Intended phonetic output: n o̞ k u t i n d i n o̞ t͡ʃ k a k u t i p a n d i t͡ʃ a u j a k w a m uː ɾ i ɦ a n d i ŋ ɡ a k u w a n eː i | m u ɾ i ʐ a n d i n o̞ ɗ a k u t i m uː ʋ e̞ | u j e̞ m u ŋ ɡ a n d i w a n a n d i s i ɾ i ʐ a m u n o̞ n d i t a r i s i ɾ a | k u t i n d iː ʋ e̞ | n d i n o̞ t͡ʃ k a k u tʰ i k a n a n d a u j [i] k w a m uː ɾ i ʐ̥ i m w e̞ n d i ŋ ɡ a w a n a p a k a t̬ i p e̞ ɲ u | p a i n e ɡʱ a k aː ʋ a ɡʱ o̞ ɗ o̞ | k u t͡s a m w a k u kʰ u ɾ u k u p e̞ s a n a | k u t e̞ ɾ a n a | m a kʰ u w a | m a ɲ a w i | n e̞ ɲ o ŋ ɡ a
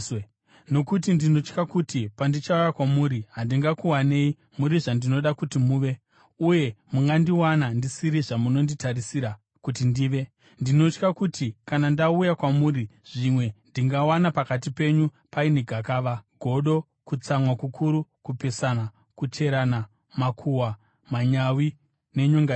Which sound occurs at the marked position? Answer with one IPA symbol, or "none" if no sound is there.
a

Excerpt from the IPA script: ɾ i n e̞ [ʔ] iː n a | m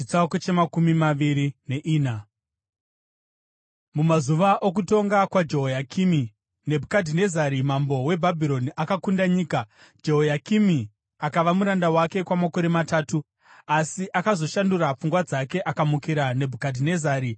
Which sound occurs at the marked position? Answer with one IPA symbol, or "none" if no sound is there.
ʔ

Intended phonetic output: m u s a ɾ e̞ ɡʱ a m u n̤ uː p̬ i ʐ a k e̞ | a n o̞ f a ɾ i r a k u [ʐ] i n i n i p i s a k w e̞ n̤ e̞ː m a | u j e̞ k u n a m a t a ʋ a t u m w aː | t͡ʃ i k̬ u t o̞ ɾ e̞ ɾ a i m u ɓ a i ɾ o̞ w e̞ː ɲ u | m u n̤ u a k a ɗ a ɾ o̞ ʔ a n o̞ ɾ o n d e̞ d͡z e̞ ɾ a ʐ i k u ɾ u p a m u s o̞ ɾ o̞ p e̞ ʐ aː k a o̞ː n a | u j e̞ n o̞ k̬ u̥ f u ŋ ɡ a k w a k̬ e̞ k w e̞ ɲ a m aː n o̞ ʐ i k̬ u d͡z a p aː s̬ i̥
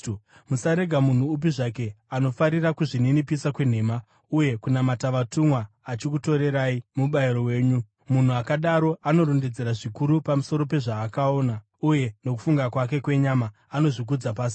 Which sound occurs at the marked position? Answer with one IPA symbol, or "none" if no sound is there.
ʐ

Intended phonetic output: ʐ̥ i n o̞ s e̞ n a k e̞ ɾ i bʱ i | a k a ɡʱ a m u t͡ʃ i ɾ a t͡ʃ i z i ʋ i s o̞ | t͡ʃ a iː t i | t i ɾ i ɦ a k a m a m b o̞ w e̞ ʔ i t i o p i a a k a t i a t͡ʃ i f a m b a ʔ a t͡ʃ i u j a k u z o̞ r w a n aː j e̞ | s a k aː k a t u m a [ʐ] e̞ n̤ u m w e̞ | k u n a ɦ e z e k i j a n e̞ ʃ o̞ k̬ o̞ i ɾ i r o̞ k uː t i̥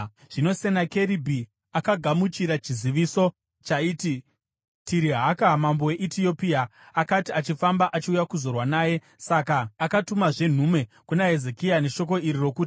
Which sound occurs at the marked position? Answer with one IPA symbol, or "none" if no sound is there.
ʐ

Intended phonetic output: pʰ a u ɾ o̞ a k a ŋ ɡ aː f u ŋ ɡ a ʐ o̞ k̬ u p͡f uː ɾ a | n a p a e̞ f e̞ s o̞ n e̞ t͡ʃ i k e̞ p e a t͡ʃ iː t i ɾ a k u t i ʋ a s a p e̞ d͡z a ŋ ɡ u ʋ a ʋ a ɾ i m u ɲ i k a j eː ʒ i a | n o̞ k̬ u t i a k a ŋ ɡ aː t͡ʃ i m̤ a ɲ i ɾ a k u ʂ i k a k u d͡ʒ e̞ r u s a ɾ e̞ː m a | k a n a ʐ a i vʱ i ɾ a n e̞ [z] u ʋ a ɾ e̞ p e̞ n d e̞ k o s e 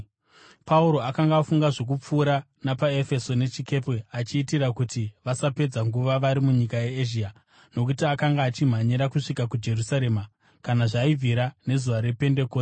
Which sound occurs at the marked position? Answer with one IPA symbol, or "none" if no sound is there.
z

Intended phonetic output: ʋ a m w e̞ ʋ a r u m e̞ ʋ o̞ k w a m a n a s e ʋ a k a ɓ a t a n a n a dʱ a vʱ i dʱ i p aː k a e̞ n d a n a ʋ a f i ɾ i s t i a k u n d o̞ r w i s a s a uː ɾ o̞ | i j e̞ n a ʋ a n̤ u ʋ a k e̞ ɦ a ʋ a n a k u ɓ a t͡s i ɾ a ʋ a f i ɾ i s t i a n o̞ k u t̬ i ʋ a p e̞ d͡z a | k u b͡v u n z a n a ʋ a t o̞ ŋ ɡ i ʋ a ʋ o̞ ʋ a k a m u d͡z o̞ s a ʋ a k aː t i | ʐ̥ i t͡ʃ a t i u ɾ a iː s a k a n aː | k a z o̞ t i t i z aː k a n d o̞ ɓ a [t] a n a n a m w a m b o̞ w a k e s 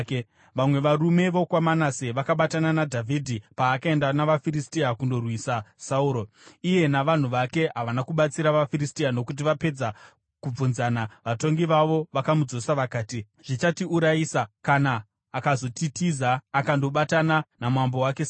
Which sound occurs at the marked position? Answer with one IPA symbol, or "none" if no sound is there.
t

